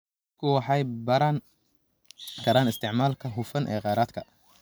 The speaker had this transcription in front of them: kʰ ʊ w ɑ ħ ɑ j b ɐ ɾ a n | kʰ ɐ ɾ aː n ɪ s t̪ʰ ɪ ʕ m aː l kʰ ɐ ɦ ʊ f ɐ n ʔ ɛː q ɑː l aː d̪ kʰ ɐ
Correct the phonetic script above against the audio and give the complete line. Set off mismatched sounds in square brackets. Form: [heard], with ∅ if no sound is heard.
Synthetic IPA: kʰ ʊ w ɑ ħ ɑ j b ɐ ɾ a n | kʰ ɐ ɾ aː n ɪ s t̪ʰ ɪ ʕ m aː l kʰ ɐ ɦ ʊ f ɐ n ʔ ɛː q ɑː [ɾ] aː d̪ kʰ ɐ